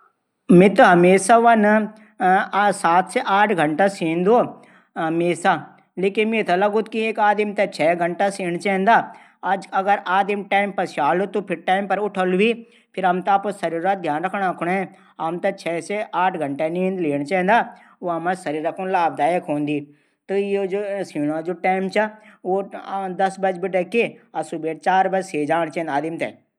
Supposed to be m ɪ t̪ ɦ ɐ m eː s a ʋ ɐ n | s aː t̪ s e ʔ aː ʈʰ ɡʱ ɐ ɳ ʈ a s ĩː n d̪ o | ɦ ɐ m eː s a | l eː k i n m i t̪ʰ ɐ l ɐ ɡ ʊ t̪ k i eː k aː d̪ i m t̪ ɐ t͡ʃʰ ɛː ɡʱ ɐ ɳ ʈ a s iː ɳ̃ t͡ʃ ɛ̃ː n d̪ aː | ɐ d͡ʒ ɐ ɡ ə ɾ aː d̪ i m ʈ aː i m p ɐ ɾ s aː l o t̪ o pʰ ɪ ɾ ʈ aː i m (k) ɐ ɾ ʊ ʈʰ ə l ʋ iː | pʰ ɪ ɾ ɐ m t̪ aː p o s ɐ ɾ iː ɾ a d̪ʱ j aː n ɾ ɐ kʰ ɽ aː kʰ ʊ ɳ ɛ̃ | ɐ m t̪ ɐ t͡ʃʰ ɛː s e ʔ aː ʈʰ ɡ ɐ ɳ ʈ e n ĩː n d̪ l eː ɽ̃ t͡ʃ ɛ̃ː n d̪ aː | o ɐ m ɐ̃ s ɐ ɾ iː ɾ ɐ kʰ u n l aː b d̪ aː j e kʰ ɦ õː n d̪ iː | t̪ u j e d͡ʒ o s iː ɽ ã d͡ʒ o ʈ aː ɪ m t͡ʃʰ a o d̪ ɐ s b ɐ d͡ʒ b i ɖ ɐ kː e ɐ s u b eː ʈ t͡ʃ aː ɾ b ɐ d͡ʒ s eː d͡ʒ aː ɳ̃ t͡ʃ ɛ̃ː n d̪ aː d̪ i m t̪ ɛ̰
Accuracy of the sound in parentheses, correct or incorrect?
incorrect: p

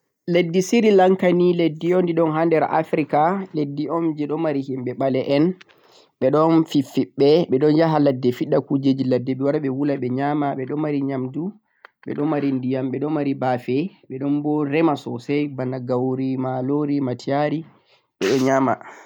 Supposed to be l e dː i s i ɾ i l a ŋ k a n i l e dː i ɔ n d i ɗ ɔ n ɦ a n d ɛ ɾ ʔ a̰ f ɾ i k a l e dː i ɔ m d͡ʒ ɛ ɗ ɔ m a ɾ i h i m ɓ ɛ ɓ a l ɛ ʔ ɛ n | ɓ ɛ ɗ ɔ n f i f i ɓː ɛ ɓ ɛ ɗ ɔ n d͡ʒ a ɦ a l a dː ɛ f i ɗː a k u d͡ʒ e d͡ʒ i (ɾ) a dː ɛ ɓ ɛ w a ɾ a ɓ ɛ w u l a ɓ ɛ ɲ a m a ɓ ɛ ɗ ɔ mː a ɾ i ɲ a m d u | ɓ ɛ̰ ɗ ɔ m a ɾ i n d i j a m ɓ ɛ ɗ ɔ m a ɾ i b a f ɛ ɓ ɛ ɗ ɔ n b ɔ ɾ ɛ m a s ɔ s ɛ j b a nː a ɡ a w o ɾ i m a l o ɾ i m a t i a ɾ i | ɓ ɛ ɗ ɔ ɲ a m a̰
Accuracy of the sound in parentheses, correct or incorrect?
incorrect: l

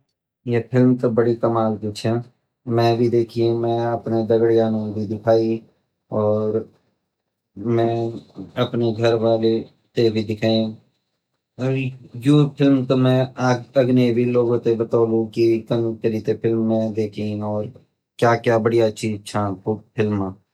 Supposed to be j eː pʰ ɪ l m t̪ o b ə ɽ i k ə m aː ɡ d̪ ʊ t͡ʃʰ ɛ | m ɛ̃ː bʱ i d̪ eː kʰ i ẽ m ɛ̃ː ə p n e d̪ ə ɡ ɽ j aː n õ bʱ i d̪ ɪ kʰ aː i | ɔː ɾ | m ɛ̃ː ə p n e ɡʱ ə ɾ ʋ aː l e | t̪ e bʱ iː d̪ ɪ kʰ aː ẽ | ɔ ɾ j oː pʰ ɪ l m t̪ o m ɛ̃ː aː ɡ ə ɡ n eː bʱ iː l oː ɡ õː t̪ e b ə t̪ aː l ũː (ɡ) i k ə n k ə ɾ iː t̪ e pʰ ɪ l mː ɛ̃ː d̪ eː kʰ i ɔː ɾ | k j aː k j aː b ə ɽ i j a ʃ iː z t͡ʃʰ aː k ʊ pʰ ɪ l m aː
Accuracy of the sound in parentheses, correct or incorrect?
incorrect: k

